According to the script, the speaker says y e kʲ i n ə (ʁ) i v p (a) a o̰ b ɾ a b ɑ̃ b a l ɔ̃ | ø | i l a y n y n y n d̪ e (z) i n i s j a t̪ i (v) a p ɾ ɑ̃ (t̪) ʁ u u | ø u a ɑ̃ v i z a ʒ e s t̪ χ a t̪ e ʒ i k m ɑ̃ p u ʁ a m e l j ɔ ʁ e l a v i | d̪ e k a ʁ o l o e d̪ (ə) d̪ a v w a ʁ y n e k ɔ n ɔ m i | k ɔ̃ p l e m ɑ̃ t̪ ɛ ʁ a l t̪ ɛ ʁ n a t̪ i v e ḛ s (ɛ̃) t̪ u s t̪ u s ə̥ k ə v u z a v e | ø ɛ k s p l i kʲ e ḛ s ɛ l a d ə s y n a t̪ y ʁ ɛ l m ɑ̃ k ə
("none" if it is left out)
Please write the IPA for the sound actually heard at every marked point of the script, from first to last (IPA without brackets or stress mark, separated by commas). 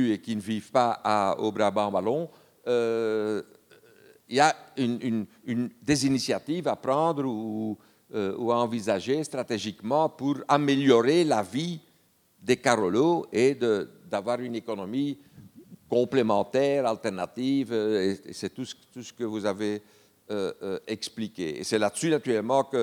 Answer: v, a, z, v, d̪, ə, ɛ